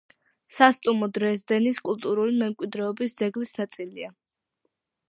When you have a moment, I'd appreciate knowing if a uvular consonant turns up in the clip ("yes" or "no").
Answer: no